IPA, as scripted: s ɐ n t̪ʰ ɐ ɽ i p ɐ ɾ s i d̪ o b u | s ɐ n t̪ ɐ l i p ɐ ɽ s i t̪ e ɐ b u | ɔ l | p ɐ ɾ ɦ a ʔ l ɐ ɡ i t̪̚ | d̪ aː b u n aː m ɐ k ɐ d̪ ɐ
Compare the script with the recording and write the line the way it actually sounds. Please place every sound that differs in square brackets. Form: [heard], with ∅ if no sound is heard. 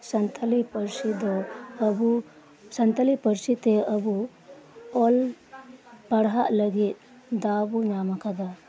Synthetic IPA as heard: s ɐ n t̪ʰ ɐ [l] i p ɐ ɾ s i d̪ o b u | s ɐ n t̪ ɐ l i p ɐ [ɾ] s i t̪ e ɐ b u | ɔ l | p ɐ [ɽ] ɦ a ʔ l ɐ ɡ i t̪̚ | d̪ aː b u n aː m ɐ k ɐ d̪ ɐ